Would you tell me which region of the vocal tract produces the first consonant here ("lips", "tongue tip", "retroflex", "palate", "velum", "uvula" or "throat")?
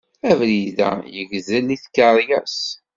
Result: lips